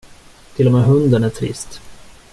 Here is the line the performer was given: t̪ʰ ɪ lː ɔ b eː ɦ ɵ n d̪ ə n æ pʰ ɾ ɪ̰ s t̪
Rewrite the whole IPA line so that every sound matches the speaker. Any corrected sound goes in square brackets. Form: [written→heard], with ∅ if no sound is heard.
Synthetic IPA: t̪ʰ ɪ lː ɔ [b→m] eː ɦ ɵ n d̪ ə n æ [pʰ→ʈʰ] ɾ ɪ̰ s t̪